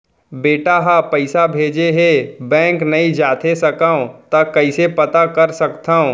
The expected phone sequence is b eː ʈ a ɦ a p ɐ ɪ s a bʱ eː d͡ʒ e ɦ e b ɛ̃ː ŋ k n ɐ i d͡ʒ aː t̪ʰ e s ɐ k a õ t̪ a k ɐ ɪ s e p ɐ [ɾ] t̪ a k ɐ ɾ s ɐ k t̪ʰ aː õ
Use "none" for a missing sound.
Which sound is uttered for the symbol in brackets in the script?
none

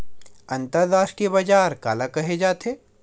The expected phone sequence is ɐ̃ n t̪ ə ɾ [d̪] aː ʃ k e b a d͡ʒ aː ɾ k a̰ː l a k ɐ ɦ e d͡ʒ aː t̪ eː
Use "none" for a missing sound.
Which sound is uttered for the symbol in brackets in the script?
d̪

